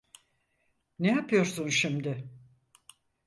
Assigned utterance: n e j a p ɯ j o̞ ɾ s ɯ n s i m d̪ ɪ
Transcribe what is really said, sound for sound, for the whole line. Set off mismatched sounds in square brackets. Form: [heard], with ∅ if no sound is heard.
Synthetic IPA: n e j a p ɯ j o̞ ɾ s [u] n [ʃ] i m d̪ ɪ